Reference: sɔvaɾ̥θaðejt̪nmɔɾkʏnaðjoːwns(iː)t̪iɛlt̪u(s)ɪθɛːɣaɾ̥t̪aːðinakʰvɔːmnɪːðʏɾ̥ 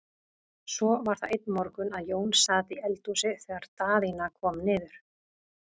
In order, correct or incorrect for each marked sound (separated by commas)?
incorrect, correct